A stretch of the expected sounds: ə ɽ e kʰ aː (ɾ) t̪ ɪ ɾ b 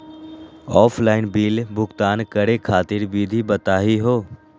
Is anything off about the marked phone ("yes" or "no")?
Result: yes